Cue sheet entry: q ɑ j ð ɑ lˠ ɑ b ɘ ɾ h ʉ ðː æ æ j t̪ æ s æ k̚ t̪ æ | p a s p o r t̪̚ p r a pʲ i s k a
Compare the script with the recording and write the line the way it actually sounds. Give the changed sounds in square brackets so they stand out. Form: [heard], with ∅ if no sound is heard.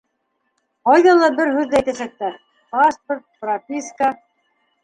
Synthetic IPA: q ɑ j ð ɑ lˠ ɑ b ɘ ɾ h ʉ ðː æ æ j t̪ æ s æ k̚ t̪ æ | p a s p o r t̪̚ p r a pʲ i s k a